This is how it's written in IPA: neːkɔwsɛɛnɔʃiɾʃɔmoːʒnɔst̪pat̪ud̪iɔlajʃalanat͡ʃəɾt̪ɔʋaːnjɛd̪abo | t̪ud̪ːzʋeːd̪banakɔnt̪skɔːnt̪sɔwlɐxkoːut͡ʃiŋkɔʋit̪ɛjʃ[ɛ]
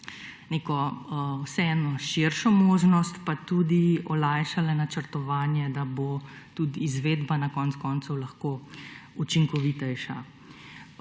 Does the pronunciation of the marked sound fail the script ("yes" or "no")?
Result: yes